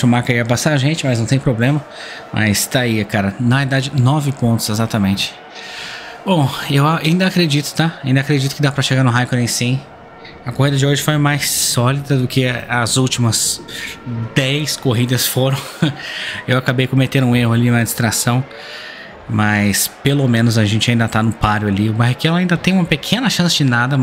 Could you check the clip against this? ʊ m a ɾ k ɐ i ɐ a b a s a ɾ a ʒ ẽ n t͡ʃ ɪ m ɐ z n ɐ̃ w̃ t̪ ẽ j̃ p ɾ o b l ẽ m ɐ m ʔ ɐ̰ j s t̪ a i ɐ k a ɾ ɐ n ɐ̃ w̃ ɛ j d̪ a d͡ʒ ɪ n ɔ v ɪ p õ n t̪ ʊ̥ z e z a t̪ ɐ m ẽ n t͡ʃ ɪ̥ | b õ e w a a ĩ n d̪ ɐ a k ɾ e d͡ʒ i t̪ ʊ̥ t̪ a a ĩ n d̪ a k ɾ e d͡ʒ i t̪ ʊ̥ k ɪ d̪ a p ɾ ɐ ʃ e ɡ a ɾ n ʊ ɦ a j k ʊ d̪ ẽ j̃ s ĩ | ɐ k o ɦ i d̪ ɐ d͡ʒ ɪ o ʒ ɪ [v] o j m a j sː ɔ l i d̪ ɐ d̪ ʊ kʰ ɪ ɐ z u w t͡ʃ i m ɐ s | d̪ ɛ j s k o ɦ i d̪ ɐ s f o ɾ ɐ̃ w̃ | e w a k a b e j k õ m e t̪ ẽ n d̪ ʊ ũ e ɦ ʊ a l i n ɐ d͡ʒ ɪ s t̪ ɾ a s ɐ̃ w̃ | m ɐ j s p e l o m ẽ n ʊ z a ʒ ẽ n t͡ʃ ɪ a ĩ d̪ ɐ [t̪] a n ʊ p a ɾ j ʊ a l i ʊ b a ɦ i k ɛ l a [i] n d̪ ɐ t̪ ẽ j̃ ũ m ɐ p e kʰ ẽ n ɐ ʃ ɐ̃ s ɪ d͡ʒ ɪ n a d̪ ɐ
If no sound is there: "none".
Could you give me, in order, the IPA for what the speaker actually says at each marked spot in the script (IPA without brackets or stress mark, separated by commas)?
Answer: f, t̪, ĩ